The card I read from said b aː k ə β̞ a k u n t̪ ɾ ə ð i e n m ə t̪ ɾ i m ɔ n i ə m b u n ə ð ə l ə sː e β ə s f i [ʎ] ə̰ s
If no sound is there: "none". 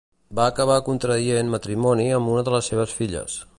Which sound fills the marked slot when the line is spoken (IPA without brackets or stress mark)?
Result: ʎ